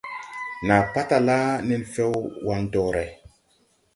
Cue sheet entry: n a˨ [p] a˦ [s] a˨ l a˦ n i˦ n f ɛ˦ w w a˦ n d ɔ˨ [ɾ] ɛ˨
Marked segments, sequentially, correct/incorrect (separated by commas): correct, incorrect, correct